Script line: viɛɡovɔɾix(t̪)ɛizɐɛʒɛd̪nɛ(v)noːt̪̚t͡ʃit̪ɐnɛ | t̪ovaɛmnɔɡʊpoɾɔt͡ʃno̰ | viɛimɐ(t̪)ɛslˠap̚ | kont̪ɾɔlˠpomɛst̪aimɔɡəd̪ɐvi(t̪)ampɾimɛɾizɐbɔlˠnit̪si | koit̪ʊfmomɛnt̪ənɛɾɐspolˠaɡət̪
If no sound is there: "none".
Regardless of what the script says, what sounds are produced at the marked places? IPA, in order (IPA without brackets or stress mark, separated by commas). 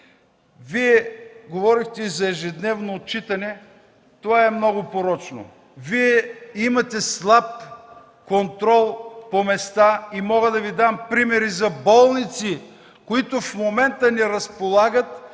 t̪, v, t̪, d̪